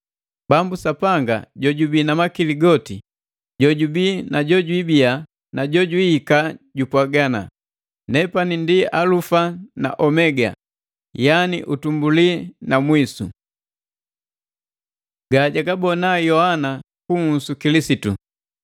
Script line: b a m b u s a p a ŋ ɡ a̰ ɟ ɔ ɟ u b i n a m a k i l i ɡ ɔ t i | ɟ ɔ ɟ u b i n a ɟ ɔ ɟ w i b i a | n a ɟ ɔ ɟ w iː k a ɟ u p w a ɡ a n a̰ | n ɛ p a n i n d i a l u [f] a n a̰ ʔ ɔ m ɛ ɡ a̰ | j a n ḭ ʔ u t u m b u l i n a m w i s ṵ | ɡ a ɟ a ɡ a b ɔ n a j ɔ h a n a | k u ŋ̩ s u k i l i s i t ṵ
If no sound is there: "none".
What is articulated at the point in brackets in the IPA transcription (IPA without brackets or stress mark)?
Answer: f